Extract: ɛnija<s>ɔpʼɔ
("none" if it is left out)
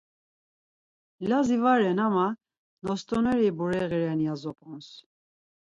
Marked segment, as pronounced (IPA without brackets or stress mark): z